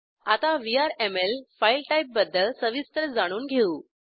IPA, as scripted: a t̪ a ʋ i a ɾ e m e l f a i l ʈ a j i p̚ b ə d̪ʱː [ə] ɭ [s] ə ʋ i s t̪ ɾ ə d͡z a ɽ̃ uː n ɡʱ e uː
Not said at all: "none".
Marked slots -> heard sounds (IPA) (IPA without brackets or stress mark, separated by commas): ə, s